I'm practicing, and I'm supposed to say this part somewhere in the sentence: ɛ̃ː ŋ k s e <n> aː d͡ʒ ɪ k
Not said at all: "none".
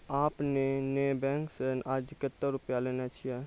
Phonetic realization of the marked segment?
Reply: n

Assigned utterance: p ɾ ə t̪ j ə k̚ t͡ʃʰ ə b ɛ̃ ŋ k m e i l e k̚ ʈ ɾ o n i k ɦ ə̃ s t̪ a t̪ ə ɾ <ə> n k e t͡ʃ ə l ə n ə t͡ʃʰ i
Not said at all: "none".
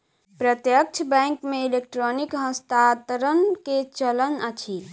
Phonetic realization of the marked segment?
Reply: ə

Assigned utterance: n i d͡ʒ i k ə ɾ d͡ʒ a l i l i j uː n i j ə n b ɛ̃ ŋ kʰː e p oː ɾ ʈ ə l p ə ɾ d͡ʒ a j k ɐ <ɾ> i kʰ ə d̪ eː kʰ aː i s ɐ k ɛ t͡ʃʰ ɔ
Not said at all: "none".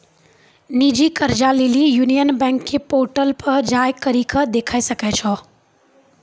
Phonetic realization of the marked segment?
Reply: ɾ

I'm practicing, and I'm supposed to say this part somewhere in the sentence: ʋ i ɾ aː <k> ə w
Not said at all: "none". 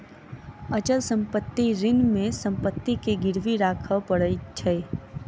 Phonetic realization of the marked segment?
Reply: kʰ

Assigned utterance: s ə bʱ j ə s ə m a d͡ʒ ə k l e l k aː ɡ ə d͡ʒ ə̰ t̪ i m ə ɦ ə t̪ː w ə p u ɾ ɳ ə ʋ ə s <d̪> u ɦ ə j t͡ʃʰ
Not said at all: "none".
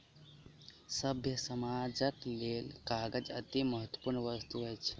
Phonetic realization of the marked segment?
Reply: t̪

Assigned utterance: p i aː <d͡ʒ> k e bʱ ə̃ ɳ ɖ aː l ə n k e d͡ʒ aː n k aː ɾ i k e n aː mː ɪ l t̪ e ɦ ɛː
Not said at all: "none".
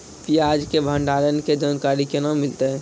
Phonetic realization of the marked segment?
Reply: d͡ʒ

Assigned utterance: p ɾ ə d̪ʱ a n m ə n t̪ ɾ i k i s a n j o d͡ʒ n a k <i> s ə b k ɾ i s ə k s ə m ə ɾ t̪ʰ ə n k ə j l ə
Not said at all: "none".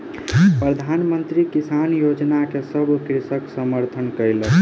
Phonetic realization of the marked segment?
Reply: e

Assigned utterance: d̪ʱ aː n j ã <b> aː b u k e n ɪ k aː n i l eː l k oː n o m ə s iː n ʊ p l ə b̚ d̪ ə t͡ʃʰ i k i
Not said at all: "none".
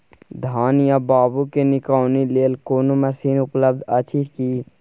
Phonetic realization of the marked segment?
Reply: b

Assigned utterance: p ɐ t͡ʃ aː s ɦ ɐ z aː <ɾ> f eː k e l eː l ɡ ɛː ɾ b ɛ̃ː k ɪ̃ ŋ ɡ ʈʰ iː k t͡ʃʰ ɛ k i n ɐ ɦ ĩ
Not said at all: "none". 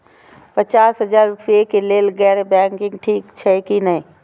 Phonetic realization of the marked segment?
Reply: ɾ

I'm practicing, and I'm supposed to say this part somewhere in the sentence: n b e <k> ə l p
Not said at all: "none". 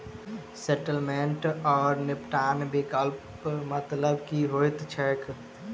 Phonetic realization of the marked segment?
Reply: k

